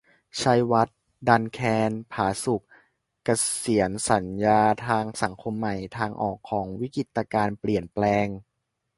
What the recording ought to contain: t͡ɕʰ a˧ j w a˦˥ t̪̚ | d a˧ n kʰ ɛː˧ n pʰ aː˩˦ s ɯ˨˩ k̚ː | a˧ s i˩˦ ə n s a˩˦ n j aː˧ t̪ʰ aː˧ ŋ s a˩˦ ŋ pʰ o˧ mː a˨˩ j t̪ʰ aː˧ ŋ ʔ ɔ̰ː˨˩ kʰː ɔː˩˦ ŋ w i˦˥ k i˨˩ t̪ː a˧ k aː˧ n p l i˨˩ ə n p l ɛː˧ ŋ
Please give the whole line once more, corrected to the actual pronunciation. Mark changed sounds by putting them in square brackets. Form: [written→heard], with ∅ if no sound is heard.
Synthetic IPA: t͡ɕʰ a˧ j w a˦˥ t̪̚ | d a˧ n kʰ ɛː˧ n pʰ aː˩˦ s [ɯ˨˩→u˨˩] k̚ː | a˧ s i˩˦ ə n s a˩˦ n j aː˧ t̪ʰ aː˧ ŋ s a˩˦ ŋ [pʰ→kʰ] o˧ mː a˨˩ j t̪ʰ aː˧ ŋ ʔ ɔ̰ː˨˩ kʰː ɔː˩˦ ŋ w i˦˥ k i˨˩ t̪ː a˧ k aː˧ n p l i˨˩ ə n p l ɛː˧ ŋ